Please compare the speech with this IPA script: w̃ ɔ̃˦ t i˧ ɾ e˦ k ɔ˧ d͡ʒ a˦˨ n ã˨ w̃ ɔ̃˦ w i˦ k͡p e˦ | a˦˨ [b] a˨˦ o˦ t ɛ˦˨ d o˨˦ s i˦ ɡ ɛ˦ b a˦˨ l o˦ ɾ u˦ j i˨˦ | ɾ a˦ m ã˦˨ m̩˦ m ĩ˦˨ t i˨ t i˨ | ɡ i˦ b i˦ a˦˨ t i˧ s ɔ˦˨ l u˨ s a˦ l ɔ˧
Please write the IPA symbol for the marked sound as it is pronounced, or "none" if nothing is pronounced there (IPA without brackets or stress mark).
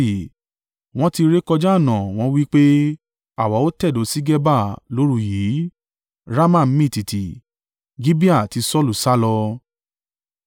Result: w